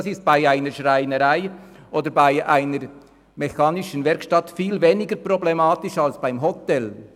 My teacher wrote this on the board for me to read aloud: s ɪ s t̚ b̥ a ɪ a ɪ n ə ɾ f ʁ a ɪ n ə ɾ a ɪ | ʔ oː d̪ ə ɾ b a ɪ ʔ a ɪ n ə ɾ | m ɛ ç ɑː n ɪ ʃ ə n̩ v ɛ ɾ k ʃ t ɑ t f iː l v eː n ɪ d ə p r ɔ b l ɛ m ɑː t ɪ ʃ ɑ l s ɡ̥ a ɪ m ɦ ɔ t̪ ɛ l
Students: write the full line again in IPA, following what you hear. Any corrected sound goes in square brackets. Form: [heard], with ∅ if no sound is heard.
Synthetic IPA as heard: s ɪ s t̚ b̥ a ɪ a ɪ n ə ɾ [ʃ] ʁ a ɪ n ə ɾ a ɪ | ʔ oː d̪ ə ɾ b a ɪ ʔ a ɪ n ə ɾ | m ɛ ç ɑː n ɪ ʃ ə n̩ v ɛ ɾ k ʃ t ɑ t f iː l v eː n ɪ [ɡ] ə p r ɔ b l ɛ m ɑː t ɪ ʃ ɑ l s [b̥] a ɪ m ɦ ɔ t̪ ɛ l